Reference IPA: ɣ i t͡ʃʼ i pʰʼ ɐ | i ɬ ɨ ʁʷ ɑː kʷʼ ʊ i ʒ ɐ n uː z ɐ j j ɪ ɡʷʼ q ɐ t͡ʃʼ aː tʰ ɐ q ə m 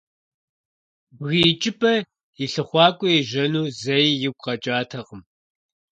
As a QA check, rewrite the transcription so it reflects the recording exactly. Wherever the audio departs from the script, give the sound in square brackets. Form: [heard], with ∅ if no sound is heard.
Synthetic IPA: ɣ i t͡ʃʼ [ɪ] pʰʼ ɐ | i ɬ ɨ [χʷ] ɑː kʷʼ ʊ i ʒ ɐ n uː z ɐ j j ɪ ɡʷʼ q ɐ t͡ʃʼ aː tʰ ɐ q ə m